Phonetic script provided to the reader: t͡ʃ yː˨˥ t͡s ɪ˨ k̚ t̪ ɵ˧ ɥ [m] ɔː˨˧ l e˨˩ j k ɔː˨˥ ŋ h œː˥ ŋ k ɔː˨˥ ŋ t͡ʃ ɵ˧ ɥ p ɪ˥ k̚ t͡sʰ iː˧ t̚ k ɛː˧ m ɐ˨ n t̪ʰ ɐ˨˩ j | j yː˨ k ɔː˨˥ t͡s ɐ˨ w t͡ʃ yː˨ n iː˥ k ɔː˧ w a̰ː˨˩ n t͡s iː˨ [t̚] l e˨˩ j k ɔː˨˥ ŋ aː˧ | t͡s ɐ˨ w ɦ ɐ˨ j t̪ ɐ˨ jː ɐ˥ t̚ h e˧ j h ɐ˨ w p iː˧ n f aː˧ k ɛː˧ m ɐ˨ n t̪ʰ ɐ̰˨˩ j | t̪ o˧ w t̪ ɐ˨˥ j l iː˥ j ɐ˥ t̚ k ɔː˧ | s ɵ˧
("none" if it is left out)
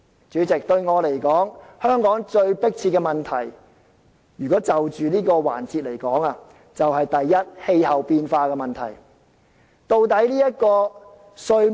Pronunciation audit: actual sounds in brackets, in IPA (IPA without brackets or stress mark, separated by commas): ŋ, t̚